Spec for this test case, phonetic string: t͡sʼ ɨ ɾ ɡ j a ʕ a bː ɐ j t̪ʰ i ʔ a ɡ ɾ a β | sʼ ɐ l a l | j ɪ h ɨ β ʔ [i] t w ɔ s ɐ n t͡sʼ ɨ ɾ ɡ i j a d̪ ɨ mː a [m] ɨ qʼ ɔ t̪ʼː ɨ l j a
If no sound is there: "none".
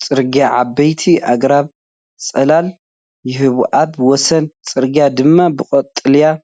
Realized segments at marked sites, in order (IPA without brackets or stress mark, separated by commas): a, b